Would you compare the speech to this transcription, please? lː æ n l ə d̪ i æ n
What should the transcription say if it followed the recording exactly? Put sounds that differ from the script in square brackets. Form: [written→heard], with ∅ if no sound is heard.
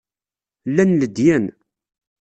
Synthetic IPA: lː æ n l ə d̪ [i→j] æ n